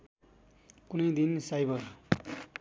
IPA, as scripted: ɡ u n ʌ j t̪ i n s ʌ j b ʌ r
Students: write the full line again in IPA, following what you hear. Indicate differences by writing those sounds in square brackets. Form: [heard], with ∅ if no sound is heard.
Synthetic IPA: [k] u n ʌ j [d̪] i n s [a] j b ʌ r